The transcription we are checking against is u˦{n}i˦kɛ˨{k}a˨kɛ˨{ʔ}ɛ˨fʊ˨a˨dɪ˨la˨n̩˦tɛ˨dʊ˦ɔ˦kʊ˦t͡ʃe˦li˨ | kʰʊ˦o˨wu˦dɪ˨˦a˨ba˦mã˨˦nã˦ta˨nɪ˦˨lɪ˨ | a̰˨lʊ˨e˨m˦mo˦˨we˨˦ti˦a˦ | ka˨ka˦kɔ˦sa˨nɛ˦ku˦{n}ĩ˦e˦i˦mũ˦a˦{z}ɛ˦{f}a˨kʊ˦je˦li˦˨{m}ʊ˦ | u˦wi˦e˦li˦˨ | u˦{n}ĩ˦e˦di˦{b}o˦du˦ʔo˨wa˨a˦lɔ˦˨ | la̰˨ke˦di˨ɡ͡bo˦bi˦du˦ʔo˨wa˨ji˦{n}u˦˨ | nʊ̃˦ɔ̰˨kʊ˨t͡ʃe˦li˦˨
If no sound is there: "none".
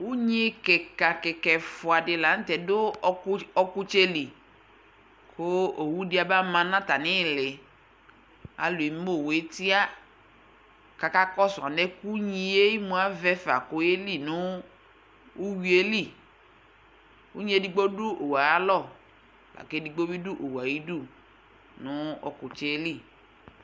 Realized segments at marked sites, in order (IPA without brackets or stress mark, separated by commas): ɲ, k, k, ɲ, v, f, n, ɲ, ɡ͡b, d